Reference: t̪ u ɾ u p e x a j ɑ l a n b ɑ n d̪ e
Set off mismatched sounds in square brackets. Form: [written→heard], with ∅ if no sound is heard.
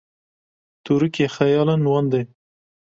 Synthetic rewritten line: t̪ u ɾ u [p→k] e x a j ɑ l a n [b→w] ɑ n d̪ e